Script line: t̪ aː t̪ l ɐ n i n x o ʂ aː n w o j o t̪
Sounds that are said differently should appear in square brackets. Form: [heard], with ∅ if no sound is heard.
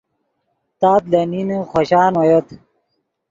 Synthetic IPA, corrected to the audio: t̪ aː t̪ l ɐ n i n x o [ɕ] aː n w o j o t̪